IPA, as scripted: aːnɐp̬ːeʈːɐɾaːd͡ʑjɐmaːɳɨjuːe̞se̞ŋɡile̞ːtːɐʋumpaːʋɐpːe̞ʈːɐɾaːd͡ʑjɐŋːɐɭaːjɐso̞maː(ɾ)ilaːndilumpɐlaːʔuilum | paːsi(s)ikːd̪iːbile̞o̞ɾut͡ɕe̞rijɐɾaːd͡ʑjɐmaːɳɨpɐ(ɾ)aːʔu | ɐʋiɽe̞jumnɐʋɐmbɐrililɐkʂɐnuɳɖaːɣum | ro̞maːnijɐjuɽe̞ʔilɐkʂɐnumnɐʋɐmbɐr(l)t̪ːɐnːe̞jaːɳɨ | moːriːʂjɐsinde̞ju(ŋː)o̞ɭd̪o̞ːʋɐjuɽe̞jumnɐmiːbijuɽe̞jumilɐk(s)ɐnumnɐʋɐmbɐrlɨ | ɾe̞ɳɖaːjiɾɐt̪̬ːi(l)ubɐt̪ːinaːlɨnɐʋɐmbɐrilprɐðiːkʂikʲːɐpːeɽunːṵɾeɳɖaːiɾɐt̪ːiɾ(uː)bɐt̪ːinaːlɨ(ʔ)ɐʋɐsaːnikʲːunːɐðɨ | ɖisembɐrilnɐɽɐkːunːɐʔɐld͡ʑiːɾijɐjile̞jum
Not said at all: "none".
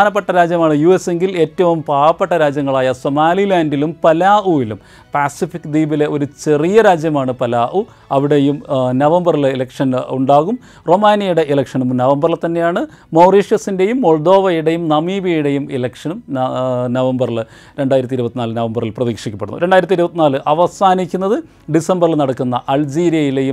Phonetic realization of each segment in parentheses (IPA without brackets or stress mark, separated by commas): l, f, l, l, mː, ʂ, ɾ, u, ʔ